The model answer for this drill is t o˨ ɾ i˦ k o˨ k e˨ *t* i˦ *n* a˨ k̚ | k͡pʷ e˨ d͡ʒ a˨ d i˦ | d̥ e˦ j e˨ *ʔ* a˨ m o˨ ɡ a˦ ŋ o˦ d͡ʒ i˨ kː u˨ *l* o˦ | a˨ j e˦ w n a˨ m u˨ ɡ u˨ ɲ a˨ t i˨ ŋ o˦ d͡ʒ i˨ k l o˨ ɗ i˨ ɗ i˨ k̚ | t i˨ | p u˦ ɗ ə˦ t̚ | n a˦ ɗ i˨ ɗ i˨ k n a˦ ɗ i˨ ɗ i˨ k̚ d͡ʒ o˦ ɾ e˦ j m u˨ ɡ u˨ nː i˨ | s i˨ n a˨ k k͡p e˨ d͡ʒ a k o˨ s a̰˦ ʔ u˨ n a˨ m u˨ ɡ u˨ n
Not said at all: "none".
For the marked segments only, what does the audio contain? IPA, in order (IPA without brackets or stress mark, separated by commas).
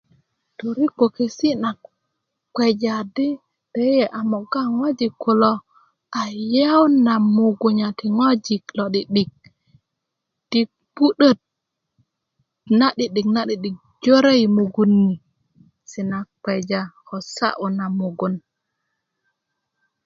s, n, ʔ, l